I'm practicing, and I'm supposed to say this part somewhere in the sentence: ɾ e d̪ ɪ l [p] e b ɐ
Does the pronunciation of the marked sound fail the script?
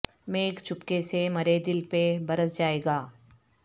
no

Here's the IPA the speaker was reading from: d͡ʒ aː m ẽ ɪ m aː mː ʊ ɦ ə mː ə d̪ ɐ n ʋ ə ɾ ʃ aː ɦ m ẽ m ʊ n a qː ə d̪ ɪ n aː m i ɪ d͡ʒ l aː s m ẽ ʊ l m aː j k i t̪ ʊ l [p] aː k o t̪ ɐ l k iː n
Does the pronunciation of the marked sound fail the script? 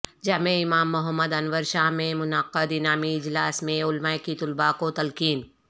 yes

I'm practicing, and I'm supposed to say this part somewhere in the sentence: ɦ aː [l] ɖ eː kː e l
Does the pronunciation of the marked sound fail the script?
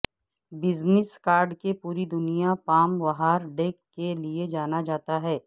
yes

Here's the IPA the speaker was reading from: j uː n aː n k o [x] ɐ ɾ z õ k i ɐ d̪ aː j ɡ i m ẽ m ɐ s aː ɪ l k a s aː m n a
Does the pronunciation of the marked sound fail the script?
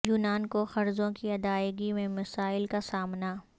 no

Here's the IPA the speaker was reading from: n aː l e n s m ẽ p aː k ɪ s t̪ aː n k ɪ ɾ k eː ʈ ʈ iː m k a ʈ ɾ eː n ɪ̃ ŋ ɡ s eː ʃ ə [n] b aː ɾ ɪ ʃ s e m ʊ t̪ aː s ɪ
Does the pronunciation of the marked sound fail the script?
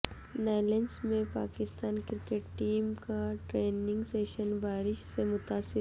no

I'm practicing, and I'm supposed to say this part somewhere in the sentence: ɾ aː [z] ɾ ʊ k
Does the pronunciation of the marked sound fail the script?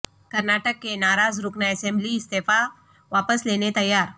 no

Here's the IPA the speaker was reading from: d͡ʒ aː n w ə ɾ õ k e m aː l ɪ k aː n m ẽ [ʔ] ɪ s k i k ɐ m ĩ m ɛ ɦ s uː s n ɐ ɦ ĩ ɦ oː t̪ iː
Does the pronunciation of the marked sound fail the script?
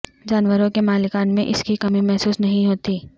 no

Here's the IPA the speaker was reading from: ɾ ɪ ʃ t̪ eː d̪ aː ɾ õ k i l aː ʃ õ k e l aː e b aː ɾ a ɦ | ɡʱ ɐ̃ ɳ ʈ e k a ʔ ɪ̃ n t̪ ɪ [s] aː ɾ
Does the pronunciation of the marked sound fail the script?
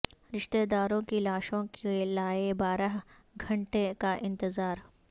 yes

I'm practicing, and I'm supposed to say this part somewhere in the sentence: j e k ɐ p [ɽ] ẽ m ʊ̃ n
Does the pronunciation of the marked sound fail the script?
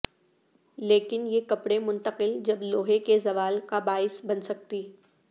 no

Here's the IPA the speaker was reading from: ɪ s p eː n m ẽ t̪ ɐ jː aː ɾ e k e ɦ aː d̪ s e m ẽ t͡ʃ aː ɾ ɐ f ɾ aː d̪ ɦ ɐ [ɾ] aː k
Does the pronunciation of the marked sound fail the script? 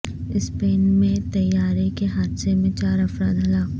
yes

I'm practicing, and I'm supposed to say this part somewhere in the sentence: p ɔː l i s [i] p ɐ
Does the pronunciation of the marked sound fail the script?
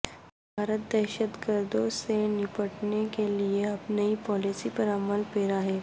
no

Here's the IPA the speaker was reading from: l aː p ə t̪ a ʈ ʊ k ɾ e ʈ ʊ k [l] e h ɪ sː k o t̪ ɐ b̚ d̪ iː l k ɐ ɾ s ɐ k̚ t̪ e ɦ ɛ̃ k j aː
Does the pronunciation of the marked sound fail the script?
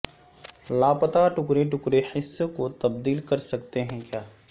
yes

